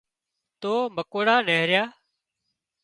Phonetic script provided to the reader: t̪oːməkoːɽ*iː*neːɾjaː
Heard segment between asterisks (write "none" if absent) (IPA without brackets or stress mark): aː